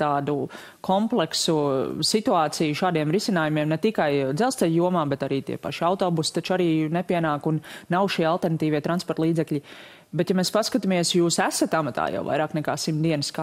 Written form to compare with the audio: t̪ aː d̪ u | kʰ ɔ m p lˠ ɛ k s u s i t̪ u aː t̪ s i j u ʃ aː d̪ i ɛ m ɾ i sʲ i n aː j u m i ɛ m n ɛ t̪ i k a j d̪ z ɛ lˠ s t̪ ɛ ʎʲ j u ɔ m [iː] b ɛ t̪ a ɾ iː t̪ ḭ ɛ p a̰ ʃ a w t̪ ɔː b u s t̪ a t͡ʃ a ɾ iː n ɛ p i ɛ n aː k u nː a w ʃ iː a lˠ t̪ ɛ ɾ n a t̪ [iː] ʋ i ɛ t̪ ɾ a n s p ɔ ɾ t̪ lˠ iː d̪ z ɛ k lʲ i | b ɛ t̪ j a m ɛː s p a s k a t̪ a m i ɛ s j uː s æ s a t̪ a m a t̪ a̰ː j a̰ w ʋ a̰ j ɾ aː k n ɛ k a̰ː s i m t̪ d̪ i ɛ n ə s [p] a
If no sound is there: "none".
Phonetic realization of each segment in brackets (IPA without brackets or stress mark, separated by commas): aː, iː, k